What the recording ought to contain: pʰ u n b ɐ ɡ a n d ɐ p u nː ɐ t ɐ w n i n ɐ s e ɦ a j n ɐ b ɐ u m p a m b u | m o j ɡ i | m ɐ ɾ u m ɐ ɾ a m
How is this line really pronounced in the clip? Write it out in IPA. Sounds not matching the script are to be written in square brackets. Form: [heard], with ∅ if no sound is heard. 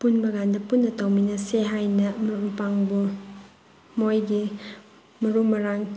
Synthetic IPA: [p] u n b ɐ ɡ a n d ɐ p u nː ɐ t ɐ w [m] i n ɐ s e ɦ a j n ɐ [m] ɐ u m p a [ŋ] b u | m o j ɡ i | m ɐ ɾ u m ɐ ɾ a [ŋ]